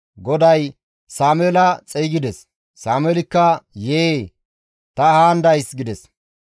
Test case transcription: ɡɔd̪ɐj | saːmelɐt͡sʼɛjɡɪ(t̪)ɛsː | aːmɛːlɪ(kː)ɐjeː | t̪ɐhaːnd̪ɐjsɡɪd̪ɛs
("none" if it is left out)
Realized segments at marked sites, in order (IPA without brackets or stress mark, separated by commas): d̪, kː